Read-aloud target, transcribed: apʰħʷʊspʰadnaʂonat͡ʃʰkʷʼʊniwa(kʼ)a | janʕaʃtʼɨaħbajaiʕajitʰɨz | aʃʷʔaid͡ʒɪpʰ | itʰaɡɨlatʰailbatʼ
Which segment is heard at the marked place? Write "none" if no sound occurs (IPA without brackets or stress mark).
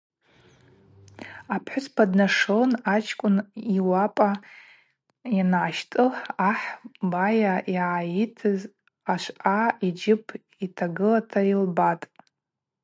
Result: pʼ